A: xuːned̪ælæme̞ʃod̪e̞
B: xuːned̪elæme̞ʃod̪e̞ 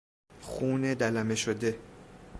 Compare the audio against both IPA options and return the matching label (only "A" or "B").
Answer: A